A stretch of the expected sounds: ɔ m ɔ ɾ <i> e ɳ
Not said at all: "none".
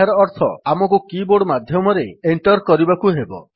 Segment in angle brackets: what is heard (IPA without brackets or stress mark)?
e